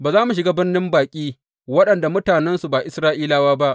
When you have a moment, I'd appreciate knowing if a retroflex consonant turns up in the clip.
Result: no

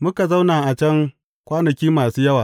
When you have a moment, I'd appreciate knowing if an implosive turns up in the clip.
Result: no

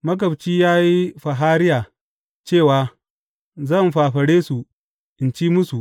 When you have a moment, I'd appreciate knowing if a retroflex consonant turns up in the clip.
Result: yes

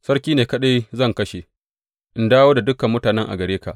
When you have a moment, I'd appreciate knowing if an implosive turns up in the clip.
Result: yes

